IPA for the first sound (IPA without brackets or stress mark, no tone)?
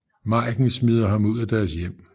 m